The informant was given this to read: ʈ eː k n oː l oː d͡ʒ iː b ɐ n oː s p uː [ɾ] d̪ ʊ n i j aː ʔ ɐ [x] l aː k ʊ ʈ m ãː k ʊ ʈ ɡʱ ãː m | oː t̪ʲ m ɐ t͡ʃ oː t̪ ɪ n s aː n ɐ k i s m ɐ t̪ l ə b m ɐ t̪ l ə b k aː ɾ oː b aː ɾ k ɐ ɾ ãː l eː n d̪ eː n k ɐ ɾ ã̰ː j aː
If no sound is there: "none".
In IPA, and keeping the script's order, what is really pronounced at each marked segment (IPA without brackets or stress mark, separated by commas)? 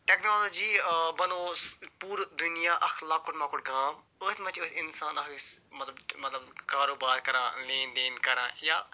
ɾ, x